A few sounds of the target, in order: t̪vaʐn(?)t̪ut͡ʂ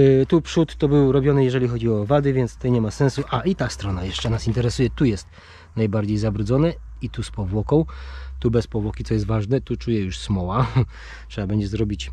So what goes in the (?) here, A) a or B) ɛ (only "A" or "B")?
B